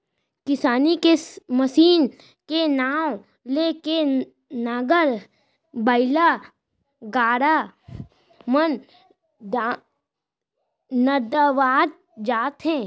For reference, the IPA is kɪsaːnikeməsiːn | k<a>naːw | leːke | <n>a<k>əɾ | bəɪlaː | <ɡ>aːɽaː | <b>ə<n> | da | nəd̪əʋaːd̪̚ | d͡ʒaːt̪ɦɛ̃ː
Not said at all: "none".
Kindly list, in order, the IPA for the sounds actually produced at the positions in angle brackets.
e, n, ɡ, ɡ, m, n

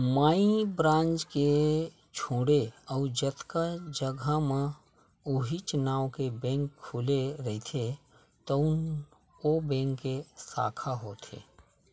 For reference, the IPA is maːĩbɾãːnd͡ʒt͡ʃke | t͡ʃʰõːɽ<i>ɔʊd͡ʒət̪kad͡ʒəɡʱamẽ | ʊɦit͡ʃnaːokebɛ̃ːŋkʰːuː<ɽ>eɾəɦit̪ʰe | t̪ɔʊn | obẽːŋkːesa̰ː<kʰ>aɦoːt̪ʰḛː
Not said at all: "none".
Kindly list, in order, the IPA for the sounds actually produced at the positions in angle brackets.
e, l, kʰ

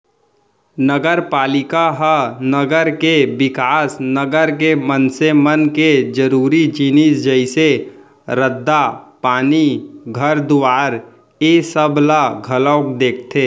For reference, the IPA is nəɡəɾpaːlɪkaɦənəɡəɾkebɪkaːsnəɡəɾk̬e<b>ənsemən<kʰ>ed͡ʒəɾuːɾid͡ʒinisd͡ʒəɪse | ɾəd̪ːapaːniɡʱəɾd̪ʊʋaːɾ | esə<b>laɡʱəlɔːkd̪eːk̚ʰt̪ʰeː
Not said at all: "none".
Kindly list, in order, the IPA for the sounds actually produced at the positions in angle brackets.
m, k, b

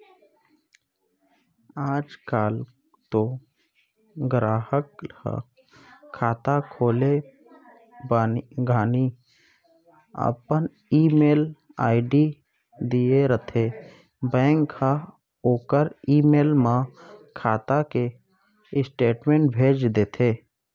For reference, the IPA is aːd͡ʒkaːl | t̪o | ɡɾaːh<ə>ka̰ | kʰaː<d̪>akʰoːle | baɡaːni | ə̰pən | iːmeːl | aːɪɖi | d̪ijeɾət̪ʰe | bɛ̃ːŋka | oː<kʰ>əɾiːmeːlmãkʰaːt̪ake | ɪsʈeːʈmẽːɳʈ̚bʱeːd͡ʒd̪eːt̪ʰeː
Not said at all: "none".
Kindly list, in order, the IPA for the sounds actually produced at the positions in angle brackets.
ə, t̪, k

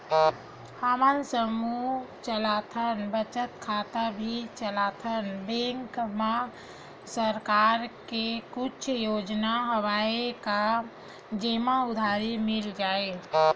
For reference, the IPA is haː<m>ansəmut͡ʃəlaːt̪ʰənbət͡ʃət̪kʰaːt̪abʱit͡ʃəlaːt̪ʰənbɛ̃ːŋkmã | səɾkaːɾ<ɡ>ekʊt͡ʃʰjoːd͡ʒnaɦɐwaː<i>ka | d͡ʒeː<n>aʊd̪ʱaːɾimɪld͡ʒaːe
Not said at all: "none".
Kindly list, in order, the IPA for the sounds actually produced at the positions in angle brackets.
m, k, e, m

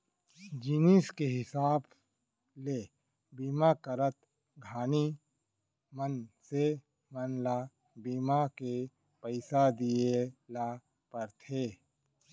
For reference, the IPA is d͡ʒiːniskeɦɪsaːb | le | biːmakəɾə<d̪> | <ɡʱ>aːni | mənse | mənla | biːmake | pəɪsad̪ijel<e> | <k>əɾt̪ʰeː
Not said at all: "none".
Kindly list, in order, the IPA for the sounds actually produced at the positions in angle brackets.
t̪, ɡʱ, a, p

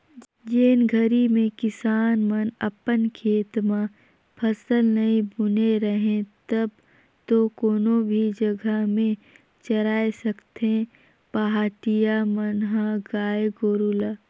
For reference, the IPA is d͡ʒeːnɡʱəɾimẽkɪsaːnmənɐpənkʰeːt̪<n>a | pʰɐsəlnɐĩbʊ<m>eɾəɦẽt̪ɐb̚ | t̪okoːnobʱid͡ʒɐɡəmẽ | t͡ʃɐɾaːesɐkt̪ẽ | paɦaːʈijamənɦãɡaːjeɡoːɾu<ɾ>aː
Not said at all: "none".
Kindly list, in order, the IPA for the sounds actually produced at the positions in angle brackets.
m, n, l

